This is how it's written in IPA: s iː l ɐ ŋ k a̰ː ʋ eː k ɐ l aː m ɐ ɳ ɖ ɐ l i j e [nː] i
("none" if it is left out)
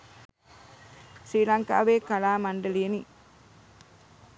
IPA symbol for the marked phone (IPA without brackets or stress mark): n